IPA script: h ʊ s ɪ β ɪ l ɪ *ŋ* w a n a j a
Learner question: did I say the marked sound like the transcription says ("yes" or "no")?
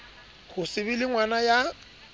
yes